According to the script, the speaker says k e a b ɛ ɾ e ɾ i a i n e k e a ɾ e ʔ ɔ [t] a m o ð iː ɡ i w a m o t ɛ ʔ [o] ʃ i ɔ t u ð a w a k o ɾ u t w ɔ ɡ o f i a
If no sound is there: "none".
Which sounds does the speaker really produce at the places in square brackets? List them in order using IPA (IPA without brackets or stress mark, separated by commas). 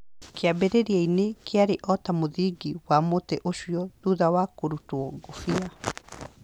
t, o